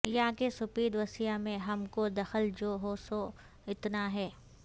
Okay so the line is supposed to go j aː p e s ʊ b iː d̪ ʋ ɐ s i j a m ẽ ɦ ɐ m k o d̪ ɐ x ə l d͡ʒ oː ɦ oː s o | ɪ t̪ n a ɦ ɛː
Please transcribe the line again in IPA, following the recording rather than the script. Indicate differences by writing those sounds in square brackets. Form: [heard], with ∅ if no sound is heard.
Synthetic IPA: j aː [k] e s ʊ [p] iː d̪ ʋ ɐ s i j a m ẽ ɦ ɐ m k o d̪ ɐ x ə l d͡ʒ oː ɦ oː s o | ɪ t̪ n a ɦ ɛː